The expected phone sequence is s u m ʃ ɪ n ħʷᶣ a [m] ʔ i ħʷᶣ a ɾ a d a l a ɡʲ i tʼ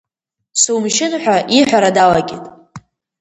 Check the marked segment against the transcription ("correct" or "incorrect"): incorrect